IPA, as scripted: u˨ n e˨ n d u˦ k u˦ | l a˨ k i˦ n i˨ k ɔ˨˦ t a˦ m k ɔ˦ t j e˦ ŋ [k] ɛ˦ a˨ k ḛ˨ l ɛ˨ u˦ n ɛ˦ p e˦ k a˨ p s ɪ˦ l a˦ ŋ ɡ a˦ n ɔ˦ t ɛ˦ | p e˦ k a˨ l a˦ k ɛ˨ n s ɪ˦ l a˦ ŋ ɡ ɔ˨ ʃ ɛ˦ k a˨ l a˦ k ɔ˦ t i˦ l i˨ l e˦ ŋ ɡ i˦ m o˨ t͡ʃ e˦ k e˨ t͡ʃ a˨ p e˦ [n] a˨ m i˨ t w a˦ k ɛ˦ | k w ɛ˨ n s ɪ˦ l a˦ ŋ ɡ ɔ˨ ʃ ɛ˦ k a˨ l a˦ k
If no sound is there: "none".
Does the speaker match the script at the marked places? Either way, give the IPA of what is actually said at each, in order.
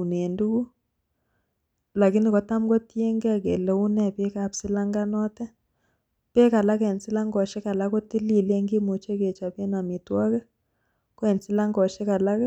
ɡ, n

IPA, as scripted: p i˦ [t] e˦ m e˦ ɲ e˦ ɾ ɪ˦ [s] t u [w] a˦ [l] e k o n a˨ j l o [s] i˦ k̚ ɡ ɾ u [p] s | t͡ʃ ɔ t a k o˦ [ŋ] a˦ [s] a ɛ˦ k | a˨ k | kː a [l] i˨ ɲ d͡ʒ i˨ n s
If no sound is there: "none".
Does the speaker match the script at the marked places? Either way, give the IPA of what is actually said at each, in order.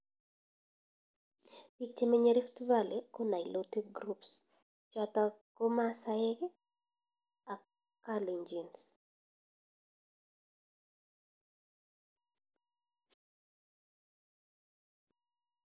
t͡ʃ, f, v, l, t, p, m, s, l

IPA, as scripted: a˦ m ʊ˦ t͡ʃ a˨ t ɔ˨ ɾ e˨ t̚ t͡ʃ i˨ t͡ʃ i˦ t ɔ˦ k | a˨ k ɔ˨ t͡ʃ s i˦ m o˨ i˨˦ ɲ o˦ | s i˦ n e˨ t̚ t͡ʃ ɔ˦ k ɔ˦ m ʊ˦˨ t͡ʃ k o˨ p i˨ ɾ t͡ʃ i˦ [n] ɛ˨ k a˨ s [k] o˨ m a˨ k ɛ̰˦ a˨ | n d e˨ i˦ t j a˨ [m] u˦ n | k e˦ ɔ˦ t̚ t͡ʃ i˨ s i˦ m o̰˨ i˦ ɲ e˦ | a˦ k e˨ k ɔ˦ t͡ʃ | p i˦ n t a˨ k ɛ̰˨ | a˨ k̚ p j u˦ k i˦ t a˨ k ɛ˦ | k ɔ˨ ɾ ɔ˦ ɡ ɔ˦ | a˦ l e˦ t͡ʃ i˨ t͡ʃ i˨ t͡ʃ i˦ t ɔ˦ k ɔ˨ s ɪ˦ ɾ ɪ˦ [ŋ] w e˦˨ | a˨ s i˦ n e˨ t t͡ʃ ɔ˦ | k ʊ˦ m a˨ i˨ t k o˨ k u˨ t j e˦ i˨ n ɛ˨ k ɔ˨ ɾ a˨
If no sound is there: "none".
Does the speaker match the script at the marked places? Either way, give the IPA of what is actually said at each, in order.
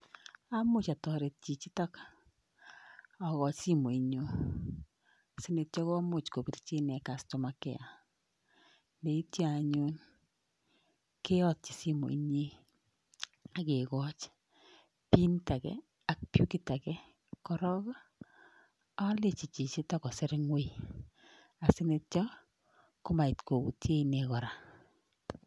n, t, ɲ, ŋ

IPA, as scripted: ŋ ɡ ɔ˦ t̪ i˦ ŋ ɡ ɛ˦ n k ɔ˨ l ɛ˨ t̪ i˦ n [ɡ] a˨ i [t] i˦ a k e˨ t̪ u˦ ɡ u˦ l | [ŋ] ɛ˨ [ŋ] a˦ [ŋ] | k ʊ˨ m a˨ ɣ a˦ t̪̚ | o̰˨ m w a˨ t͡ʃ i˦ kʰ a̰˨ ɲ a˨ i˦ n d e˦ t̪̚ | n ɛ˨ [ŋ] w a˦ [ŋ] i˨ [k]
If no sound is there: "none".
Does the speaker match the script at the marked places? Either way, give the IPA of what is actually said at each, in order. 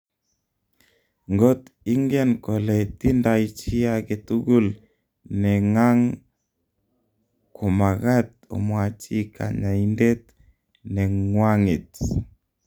d, t͡ʃ, n, ŋ, ŋ, ŋ, ŋ, t

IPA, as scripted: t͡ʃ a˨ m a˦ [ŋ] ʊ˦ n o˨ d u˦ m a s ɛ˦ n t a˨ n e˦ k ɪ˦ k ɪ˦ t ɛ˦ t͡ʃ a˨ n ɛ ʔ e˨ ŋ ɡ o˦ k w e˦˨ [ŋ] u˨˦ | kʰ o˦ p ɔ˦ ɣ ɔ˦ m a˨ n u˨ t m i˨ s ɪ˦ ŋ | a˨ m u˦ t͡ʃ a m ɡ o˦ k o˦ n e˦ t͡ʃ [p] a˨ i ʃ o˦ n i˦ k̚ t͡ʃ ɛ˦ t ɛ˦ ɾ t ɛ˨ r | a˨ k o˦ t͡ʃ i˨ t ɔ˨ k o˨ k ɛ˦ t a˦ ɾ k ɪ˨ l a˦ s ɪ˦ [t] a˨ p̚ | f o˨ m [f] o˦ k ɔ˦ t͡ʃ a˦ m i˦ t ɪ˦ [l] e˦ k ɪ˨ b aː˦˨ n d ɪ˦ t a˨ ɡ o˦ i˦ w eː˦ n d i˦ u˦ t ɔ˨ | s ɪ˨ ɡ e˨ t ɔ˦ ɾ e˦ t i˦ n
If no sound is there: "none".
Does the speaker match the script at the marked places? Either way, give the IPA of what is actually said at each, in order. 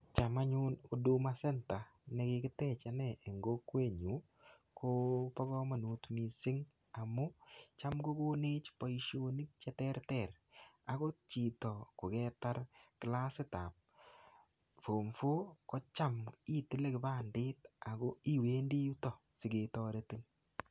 ɲ, ɲ, p, t, f, l

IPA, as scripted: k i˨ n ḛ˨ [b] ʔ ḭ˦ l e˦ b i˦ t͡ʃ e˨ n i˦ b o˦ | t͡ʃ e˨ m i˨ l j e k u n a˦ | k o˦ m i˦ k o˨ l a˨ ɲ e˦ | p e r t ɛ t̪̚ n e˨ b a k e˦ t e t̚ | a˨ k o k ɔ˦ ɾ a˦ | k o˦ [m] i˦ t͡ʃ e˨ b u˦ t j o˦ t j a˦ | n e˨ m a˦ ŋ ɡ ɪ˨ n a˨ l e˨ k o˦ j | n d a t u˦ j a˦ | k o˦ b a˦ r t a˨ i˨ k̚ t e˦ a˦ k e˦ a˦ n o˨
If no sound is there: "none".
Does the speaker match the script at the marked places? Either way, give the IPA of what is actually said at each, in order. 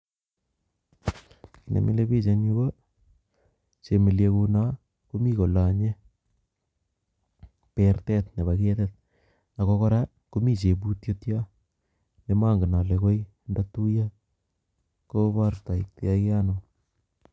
m, m

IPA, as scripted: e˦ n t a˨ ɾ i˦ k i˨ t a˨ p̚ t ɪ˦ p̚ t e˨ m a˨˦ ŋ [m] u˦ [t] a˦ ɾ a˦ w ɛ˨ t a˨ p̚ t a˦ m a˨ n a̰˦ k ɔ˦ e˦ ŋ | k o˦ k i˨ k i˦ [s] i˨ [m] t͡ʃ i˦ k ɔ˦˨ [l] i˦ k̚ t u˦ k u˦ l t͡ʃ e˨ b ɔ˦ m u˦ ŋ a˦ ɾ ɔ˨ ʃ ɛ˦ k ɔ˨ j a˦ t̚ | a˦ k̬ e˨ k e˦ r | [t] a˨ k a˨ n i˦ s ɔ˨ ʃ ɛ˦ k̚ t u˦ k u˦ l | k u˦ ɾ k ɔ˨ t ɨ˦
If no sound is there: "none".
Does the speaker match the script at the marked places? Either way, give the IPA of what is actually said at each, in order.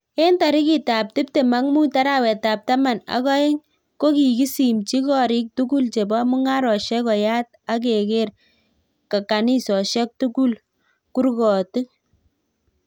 m, t, s, m, ɾ, k

